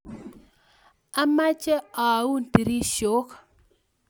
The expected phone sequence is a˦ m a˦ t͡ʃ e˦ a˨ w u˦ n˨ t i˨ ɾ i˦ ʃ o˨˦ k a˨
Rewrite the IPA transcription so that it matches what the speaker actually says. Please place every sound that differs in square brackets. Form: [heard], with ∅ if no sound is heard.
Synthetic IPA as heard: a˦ m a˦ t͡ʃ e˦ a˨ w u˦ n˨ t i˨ ɾ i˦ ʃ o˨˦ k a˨